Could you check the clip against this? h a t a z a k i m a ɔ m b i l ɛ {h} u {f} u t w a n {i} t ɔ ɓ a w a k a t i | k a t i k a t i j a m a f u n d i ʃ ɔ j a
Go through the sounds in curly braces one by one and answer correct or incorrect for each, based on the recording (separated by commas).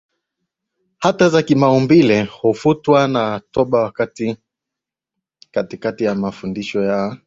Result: correct, correct, incorrect